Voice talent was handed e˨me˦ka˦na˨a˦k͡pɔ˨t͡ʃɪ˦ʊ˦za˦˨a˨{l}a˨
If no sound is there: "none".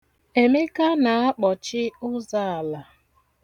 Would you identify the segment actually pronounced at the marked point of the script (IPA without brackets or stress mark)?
l